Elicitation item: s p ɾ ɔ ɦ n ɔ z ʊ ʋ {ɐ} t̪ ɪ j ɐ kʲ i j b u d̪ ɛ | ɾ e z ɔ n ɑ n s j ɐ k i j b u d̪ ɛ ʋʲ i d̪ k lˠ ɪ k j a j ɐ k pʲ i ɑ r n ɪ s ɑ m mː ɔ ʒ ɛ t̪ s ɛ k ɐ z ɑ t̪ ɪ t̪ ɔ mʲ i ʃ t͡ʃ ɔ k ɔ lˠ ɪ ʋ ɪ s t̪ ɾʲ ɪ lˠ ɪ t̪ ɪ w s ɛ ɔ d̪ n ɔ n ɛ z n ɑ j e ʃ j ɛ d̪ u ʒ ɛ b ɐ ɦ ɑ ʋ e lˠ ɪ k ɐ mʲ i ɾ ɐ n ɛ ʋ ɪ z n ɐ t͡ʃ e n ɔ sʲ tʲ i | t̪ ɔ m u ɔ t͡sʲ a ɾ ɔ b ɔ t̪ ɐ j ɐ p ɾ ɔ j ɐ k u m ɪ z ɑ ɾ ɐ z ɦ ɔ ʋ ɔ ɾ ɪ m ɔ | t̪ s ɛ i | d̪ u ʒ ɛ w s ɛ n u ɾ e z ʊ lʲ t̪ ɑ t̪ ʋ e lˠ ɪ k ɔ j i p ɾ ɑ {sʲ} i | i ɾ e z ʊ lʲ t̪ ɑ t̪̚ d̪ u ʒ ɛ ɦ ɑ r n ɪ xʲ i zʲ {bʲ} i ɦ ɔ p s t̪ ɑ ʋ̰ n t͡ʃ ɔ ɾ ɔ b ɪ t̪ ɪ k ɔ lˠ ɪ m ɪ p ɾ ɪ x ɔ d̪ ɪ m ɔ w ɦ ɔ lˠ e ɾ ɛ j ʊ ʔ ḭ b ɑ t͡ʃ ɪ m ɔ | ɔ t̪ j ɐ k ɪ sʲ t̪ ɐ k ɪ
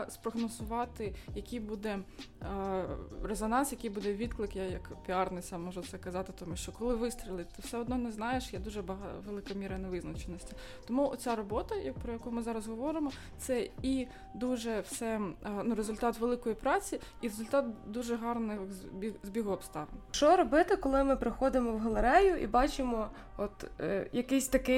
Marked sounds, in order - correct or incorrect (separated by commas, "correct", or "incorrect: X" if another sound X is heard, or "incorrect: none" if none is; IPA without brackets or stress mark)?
incorrect: ɑ, incorrect: t͡sʲ, correct